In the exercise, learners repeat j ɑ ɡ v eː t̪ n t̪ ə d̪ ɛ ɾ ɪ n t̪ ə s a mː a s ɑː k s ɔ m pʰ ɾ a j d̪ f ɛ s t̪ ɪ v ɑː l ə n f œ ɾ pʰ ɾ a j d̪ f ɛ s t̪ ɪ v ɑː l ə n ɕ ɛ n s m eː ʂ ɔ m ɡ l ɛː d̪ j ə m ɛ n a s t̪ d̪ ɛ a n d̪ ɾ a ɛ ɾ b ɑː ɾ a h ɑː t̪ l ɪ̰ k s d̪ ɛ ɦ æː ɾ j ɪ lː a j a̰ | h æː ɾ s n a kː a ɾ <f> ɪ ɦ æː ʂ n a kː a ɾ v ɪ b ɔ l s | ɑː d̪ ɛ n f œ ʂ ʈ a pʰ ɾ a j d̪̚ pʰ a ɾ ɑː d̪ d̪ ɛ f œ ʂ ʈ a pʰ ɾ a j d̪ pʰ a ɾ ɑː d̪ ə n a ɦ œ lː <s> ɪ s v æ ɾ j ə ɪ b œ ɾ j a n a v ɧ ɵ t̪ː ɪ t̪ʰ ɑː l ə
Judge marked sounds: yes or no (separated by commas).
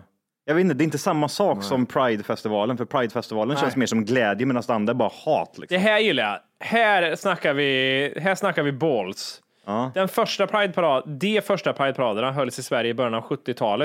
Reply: no, yes